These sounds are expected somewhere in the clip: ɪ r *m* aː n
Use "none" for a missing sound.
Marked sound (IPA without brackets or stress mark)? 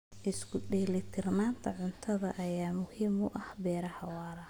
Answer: n